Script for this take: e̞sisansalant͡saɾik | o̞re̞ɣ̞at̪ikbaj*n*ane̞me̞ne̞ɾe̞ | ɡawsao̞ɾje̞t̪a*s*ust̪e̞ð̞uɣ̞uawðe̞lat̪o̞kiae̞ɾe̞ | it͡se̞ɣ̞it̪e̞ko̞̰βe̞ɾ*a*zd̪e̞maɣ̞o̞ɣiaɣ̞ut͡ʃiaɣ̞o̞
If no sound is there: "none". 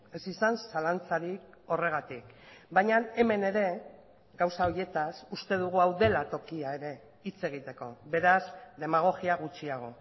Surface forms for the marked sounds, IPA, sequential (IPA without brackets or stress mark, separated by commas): ɲ, s, a